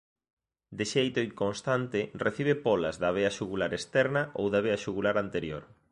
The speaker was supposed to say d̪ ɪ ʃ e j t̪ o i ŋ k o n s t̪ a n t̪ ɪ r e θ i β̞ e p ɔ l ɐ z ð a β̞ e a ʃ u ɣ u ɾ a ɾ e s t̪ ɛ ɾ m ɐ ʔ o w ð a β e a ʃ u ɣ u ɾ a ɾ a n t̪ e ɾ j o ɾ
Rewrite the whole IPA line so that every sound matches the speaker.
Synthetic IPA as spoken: d̪ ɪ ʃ e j t̪ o i ŋ k o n s t̪ a n t̪ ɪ r e θ i β̞ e p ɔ l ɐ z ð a β̞ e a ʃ u ɣ u l a ɾ e s t̪ ɛ ɾ n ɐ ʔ o w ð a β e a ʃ u ɣ u l a ɾ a n t̪ e ɾ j o ɾ